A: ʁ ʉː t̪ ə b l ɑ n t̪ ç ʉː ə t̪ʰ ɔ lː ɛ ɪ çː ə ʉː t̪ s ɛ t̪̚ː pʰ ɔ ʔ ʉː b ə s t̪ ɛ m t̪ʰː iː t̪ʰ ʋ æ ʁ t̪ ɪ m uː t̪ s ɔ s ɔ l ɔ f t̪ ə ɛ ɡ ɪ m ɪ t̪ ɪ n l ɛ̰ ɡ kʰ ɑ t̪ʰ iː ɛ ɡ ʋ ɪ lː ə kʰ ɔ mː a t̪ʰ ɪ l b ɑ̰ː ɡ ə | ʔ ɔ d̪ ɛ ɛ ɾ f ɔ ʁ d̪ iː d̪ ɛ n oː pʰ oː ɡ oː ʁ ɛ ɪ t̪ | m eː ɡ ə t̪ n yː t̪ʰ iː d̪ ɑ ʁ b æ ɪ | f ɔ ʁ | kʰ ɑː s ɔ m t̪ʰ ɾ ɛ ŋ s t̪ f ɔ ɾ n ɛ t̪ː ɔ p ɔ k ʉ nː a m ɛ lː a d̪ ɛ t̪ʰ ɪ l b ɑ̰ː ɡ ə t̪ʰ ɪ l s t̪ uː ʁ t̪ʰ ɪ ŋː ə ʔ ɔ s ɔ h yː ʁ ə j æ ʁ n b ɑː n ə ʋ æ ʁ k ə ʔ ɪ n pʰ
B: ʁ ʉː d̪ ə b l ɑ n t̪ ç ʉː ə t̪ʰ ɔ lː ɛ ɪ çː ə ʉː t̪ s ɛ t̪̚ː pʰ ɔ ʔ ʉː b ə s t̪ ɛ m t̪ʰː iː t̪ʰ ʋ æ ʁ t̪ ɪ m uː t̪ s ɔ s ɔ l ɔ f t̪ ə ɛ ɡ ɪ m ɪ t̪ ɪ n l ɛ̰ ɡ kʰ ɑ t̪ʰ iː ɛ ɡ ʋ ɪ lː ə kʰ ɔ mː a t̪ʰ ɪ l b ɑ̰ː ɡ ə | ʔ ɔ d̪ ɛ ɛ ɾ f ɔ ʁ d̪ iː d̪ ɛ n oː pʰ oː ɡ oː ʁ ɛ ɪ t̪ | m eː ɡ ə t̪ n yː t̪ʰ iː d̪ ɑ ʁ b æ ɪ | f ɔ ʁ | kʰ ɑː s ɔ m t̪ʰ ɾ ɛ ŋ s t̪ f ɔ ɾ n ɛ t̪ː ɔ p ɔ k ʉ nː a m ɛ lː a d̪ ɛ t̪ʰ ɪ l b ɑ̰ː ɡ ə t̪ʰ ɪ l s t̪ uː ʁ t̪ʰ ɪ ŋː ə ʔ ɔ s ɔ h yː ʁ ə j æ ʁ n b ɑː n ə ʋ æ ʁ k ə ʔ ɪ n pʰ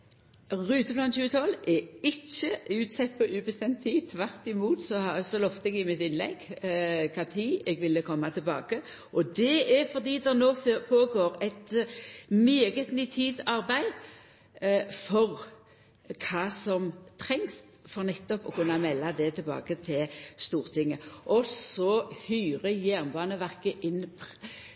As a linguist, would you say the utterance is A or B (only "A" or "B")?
A